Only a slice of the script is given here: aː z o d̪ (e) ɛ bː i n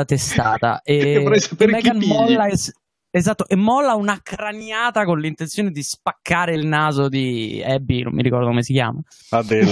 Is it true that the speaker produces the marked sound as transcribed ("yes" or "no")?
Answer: no